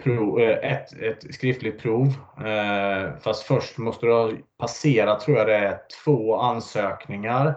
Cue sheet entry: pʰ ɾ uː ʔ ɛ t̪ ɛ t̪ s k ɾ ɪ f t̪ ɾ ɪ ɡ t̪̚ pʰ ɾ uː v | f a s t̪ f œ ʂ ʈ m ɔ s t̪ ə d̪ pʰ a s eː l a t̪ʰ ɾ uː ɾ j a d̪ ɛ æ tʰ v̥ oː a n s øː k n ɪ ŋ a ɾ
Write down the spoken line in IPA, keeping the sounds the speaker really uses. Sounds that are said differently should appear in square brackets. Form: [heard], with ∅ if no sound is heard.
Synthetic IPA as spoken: pʰ ɾ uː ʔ ɛ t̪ ɛ t̪ s k ɾ ɪ f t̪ [l] ɪ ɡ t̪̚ pʰ ɾ uː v | f a s t̪ f œ ʂ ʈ m ɔ s t̪ ə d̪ pʰ a s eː [ɾ] a t̪ʰ ɾ uː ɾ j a d̪ ɛ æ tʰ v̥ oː a n s øː k n ɪ ŋ a ɾ